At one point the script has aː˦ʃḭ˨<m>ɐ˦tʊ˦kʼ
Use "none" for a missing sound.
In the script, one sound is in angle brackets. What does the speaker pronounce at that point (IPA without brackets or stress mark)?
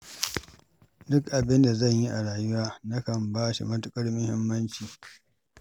m